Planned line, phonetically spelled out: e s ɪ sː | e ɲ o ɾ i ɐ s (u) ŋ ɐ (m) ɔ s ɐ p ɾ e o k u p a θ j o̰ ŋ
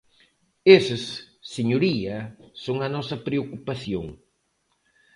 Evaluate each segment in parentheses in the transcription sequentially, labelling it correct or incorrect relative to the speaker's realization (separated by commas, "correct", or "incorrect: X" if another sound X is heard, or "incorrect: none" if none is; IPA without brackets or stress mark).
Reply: incorrect: o, incorrect: n